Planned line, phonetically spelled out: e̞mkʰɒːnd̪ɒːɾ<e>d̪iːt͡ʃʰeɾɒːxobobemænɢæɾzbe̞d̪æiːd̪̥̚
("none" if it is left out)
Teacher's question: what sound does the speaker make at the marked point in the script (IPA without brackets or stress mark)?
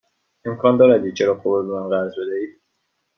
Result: æ